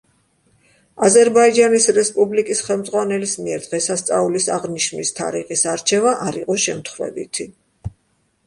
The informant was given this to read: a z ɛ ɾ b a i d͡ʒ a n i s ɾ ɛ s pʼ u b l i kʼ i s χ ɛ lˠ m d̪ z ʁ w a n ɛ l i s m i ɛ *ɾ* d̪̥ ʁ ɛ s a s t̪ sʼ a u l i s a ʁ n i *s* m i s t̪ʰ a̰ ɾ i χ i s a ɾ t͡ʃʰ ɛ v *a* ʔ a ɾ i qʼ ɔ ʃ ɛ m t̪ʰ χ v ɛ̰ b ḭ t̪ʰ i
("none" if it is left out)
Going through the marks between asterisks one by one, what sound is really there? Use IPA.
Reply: ɾ, ʃ, a

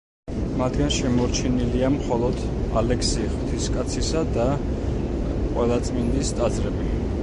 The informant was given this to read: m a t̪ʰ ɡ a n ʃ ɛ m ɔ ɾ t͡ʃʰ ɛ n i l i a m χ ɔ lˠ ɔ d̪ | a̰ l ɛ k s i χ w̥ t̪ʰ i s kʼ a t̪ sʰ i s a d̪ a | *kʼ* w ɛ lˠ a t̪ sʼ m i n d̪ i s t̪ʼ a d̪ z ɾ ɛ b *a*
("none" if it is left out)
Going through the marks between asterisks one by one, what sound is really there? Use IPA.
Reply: qʼ, i

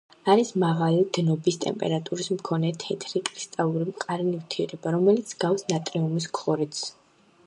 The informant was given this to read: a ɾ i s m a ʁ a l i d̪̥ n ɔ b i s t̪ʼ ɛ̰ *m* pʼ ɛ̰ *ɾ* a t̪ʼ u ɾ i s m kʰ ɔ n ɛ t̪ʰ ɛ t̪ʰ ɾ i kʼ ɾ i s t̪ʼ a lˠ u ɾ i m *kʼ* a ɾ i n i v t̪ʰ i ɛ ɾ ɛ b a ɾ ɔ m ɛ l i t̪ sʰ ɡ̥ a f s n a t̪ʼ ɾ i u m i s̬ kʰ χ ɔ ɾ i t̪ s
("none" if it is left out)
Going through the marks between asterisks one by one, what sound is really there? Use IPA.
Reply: m, ɾ, qʼ

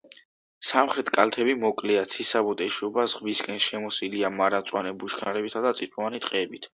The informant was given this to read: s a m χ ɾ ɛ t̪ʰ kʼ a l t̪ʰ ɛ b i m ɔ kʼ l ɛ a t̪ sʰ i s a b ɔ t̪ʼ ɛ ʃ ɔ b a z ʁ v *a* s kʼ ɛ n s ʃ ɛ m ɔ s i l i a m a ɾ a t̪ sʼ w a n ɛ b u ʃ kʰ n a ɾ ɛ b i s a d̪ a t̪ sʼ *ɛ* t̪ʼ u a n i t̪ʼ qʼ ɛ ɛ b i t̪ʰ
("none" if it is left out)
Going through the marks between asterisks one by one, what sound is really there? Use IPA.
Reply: i, i

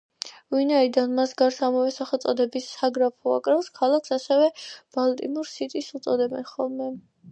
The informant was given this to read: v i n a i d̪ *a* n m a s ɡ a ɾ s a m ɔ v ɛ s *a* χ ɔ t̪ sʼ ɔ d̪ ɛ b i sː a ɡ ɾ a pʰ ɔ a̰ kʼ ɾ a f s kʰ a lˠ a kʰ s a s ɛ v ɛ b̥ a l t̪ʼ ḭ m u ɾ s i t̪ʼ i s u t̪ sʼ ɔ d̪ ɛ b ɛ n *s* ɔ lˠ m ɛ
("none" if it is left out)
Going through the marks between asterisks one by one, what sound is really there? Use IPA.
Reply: a, a, χ

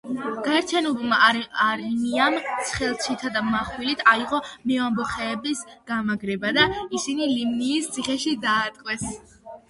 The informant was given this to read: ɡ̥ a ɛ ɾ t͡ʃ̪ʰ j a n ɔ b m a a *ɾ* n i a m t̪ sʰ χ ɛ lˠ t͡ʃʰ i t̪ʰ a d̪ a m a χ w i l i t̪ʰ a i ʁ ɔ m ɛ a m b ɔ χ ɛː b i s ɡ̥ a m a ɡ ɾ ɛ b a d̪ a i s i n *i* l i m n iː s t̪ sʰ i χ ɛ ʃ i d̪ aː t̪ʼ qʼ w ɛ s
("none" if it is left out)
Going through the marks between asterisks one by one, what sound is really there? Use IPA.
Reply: ɾ, i

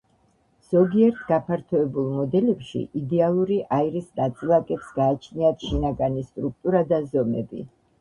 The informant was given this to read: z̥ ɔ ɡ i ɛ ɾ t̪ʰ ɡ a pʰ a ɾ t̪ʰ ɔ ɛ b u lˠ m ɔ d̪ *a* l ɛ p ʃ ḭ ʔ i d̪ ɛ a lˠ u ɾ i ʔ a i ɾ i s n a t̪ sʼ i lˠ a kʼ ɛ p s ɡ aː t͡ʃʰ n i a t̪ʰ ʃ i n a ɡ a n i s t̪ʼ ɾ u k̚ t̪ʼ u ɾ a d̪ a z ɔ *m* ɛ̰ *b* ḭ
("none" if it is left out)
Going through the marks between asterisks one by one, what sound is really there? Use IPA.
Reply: ɛ, m, b

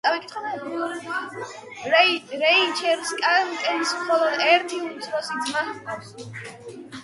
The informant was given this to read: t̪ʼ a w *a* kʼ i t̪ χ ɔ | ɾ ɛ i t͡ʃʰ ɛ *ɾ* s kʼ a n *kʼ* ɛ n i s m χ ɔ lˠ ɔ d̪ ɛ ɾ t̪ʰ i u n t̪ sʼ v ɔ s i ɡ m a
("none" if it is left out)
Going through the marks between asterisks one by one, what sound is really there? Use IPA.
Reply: i, ɾ, kʼ

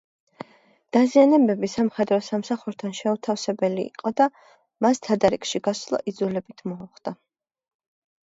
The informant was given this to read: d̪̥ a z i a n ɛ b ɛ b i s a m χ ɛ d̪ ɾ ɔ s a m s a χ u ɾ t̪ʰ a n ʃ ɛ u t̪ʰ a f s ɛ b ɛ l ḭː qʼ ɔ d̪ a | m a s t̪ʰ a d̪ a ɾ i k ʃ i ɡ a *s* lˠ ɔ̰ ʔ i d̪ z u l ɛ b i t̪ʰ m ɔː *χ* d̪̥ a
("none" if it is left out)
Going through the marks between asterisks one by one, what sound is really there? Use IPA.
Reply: s, χ

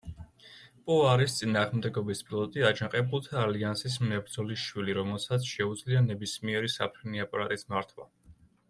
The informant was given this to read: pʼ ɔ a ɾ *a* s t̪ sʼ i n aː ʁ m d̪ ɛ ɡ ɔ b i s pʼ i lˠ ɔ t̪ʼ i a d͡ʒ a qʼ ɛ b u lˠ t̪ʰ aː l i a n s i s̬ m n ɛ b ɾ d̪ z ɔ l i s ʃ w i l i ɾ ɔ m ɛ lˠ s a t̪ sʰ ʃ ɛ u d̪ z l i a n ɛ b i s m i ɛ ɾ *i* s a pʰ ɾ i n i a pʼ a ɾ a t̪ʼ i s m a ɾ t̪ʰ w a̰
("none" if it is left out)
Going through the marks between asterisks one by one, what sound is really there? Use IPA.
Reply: i, i

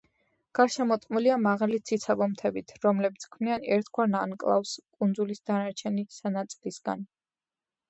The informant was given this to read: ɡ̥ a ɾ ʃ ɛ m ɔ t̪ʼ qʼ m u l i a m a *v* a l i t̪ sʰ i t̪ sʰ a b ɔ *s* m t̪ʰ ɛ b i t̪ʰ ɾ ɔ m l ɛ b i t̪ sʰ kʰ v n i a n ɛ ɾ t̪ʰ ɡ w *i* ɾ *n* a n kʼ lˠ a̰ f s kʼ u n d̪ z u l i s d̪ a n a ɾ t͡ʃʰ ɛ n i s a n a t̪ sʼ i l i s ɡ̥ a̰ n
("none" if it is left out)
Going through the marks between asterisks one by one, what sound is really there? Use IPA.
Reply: ʁ, none, a, n

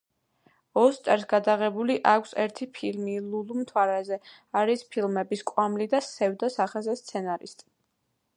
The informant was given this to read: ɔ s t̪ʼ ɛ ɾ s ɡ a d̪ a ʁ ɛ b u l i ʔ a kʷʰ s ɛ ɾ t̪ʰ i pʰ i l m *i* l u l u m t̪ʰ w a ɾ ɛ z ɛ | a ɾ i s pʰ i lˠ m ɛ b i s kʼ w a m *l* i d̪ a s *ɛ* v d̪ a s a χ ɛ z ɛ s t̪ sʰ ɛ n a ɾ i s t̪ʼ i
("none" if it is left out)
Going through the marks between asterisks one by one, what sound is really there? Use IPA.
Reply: i, l, ɛ

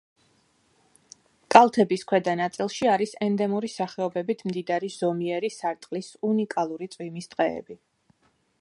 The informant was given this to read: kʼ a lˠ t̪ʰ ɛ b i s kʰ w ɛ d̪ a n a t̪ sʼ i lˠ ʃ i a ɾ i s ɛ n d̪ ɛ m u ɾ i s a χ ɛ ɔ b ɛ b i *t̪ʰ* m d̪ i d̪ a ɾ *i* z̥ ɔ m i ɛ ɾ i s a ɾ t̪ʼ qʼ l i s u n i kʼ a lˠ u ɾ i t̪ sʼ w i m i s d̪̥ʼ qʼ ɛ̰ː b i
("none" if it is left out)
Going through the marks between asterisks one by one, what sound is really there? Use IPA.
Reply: t̪ʰ, i

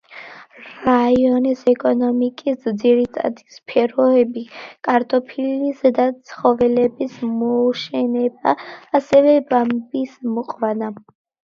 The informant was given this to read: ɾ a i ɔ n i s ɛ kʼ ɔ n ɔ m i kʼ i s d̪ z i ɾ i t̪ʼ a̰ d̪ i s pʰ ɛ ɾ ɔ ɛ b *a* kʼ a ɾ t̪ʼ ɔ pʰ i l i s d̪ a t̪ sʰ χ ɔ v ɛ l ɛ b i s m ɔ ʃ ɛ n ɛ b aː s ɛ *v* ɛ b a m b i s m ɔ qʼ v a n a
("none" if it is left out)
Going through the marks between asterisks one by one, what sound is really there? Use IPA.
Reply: i, v

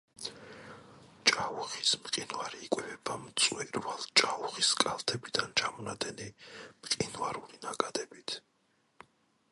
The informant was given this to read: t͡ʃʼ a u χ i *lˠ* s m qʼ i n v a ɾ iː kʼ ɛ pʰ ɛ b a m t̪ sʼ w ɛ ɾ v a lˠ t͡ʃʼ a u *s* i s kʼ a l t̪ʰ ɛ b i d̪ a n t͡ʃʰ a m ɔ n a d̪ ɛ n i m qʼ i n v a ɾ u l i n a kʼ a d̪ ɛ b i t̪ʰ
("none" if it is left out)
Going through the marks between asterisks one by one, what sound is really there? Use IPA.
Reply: none, χ

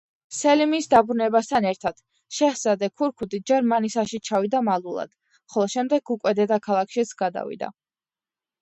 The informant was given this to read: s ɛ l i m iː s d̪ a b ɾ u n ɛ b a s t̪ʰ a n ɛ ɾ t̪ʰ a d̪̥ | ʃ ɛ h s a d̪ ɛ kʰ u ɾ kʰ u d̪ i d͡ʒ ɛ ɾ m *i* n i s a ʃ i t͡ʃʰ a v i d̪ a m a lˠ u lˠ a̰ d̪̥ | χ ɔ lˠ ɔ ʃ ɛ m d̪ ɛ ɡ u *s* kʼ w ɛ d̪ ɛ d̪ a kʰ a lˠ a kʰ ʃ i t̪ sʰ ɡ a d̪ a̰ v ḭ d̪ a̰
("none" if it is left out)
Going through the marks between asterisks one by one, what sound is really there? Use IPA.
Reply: a, none

